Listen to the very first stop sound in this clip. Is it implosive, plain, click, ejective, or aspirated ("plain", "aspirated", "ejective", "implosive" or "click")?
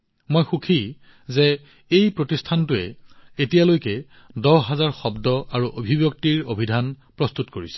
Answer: aspirated